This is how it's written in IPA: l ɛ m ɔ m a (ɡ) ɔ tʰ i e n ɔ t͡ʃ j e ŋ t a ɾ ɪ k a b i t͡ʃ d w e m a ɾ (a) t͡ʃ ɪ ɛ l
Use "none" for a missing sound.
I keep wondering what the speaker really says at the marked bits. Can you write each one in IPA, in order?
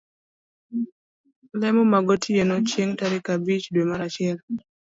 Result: ɡ, a

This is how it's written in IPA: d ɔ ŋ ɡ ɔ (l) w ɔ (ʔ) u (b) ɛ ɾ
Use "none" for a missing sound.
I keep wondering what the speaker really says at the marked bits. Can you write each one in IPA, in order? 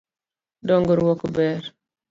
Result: ɾ, k, b

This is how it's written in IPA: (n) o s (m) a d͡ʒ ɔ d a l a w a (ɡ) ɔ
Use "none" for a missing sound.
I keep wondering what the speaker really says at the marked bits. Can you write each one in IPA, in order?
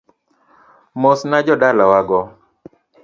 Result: m, n, ɡ

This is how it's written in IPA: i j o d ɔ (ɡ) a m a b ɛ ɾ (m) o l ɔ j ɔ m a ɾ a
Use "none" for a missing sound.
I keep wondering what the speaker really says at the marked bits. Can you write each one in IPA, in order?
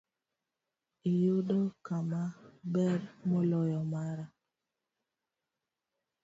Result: k, m

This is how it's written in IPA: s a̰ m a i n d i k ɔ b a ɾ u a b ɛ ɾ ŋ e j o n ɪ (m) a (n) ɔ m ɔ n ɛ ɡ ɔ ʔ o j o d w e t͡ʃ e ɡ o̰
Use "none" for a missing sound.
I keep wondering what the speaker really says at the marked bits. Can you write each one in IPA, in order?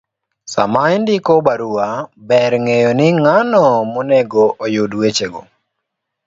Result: ŋ, n

